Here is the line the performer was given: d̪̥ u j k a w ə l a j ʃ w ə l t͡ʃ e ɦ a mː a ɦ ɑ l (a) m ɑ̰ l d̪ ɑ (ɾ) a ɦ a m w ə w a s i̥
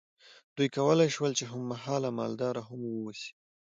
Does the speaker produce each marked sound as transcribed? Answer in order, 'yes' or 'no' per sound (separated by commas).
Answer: yes, yes